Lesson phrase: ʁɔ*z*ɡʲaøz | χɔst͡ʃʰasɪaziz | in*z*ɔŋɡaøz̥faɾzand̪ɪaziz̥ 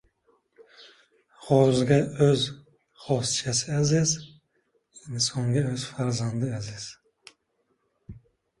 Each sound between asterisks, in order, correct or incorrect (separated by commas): correct, incorrect